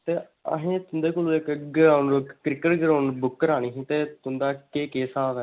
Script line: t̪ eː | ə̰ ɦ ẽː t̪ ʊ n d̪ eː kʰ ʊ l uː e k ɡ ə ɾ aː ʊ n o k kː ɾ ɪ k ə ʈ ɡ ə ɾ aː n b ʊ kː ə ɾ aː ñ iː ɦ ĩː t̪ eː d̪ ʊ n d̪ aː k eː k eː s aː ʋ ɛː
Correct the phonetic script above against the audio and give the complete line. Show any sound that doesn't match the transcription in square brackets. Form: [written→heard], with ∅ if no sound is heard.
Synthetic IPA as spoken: t̪ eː | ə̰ ɦ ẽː t̪ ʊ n d̪ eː [kʰ→k] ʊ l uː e k ɡ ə ɾ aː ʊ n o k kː ɾ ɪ k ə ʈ ɡ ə ɾ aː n b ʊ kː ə ɾ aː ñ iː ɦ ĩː t̪ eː [d̪→t̪] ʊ n d̪ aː k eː k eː s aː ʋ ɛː